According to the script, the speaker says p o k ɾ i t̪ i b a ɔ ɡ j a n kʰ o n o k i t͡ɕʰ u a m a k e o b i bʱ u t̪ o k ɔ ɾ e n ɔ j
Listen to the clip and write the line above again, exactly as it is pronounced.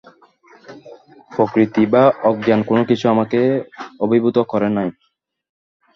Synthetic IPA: p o k ɾ i t̪ i b a ɔ ɡ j a n k o n o k i t͡ɕʰ u a m a k e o b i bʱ u t̪ o k ɔ ɾ e n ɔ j